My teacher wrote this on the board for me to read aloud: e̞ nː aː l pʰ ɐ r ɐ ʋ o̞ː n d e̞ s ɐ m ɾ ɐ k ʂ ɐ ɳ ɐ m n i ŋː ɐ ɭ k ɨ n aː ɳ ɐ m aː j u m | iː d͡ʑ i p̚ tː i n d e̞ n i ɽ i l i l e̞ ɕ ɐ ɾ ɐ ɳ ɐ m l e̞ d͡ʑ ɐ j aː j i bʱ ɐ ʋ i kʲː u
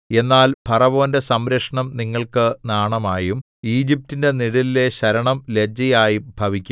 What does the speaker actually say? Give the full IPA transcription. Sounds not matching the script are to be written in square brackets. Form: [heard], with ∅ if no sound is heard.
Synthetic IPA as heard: e̞ nː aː l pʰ ɐ r ɐ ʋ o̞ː n d e̞ s ɐ m ɾ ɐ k ʂ ɐ ɳ ɐ m n i ŋː ɐ ɭ k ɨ n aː ɳ ɐ m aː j u m | iː d͡ʑ i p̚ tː i n d e̞ n i ɽ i l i l e̞ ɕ ɐ ɾ ɐ ɳ ɐ m l e̞ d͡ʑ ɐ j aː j i bʱ ɐ ʋ i kʲː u